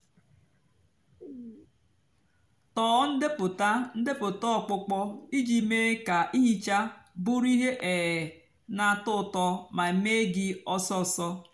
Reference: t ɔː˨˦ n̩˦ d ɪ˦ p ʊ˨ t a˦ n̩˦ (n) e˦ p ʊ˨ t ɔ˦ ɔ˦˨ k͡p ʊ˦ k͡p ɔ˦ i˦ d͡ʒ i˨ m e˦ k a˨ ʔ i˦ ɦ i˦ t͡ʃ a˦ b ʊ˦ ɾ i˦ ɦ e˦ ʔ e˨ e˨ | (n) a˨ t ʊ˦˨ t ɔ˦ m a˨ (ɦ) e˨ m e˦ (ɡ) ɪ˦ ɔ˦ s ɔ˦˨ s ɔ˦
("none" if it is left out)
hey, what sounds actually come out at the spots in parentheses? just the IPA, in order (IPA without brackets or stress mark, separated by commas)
d, n, none, ɡ